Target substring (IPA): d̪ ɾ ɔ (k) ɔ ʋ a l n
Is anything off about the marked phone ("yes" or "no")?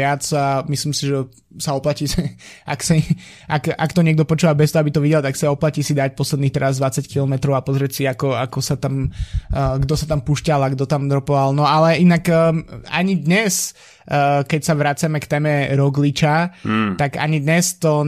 yes